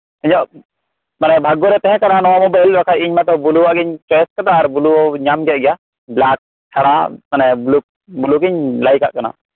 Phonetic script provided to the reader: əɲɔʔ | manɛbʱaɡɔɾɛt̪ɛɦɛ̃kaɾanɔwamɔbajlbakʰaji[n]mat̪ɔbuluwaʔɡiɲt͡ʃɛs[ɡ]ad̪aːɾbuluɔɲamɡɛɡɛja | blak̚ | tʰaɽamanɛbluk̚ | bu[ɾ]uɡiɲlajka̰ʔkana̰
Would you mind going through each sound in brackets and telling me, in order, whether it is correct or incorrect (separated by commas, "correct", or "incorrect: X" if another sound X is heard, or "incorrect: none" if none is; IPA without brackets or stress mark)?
incorrect: ɲ, incorrect: k, incorrect: l